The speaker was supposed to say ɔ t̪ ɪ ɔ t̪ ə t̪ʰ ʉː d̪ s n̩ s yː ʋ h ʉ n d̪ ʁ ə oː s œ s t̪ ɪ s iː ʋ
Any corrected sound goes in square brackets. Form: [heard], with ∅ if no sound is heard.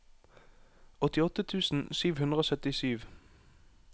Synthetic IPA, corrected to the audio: ɔ t̪ ɪ ɔ t̪ ə t̪ʰ ʉː [∅] s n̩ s yː ʋ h ʉ n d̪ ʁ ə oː s œ [∅] t̪ ɪ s [yː] ʋ